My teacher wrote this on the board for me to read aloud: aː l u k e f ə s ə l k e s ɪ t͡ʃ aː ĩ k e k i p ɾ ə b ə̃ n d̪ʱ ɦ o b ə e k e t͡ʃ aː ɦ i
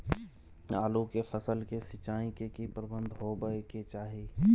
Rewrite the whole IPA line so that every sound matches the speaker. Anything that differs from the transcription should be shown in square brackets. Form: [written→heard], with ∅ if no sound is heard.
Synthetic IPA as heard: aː l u k e f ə s ə l k e s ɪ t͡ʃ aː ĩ k e k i p ɾ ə b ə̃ n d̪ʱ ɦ o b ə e k e t͡ʃ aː ɦ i